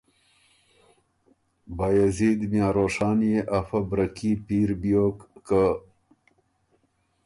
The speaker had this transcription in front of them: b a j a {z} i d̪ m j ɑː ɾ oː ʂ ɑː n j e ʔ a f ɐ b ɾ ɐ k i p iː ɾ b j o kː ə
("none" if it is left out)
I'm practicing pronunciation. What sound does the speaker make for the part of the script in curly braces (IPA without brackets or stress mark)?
z